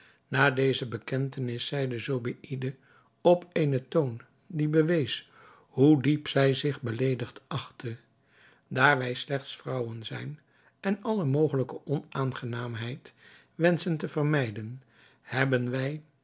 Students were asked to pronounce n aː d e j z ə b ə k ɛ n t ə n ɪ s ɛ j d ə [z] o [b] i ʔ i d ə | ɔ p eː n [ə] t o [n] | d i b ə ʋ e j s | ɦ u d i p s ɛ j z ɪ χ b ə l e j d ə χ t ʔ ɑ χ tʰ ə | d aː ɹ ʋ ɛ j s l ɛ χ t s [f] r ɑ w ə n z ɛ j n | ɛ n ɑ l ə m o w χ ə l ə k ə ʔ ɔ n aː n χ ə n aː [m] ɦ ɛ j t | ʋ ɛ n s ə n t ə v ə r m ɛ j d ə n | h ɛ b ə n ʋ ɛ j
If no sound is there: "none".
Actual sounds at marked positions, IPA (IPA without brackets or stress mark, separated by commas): z, b, ə, n, f, m